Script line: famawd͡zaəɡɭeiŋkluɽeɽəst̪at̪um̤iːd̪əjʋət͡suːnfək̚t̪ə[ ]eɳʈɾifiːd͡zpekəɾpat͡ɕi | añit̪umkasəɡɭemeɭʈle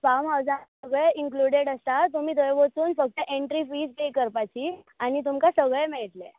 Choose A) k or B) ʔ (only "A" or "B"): B